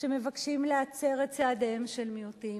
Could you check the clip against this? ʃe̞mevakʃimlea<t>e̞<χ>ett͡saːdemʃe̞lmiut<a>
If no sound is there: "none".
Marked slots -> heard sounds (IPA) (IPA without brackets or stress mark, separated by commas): t͡s, ʁ, i